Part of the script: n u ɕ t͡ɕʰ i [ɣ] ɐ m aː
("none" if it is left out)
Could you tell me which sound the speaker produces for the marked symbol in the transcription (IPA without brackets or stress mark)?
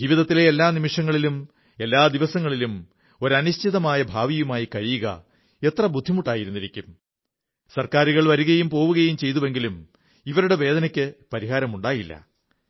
ð